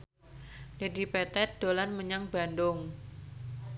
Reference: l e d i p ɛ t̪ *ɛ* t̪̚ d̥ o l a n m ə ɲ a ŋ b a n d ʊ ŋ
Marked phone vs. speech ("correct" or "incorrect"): correct